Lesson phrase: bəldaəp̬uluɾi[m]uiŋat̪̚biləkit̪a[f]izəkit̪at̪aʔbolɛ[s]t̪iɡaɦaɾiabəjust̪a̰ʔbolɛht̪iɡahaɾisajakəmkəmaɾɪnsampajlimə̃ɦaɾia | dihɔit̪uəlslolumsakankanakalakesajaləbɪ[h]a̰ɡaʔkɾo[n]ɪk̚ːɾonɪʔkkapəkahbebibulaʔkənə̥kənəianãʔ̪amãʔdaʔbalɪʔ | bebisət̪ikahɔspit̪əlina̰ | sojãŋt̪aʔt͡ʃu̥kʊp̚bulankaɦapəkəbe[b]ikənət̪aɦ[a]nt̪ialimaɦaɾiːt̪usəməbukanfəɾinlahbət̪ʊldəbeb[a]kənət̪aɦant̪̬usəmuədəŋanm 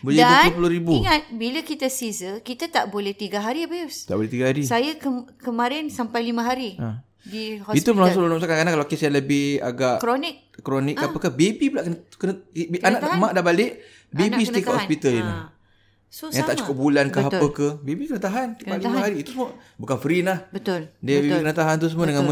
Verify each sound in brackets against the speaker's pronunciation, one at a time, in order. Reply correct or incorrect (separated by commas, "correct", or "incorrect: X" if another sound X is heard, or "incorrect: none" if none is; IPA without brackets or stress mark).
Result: incorrect: b, incorrect: s, incorrect: h, correct, correct, correct, correct, incorrect: i